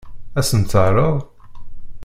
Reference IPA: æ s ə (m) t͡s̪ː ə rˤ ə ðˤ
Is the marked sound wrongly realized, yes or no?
yes